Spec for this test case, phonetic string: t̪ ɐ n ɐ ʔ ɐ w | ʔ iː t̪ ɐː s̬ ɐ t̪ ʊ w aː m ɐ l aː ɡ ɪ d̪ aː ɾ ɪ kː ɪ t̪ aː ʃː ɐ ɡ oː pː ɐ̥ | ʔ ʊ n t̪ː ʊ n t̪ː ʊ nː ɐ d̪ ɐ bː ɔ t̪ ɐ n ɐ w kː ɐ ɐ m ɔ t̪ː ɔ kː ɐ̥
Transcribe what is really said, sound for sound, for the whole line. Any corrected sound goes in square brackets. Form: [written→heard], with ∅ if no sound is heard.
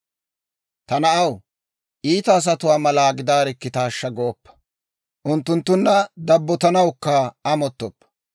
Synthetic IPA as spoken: t̪ ɐ n ɐ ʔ ɐ w | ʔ iː t̪ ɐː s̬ ɐ t̪ ʊ w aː m ɐ l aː ɡ ɪ d̪ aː ɾ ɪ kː ɪ t̪ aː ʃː ɐ ɡ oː pː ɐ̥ | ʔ ʊ n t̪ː ʊ n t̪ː ʊ nː ɐ d̪ ɐ bː ɔ t̪ ɐ n ɐ w kː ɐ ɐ m ɔ t̪ː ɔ [kː→pː] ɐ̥